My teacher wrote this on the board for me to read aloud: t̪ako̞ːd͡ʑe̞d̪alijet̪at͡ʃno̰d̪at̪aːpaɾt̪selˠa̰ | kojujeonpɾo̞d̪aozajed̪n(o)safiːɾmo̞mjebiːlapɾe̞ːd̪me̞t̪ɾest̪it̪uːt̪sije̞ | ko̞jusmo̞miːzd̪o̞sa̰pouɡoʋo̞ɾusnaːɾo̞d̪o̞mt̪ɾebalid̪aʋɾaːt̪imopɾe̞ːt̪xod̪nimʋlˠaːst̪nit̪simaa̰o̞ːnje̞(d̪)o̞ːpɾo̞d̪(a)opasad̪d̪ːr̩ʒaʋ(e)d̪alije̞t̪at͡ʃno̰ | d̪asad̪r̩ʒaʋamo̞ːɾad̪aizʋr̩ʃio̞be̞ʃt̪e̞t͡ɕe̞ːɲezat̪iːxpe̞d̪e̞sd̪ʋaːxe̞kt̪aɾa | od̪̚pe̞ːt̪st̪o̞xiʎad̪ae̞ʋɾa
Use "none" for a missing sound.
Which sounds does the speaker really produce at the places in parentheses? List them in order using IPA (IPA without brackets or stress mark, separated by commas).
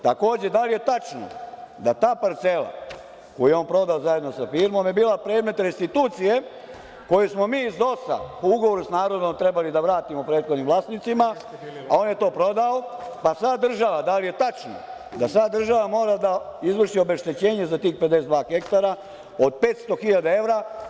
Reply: o, t̪, a, a